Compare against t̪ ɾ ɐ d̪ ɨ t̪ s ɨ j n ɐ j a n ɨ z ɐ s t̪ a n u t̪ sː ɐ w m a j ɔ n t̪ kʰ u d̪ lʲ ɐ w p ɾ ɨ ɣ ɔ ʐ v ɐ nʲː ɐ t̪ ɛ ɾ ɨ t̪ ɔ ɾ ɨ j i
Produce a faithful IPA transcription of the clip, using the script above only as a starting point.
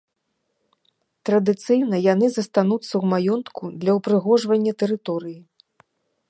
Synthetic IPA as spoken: t̪ ɾ ɐ d̪ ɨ t̪ s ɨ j n ɐ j a n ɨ z ɐ s t̪ a n u t̪ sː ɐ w m a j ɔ n t̪ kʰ u d̪ lʲ ɐ w p ɾ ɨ ɣ ɔ ʐ v ɐ nʲː ɐ t̪ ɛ ɾ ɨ t̪ ɔ ɾ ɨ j i